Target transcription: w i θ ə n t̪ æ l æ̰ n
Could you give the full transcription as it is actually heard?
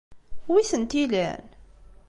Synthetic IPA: w i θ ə n t̪ i l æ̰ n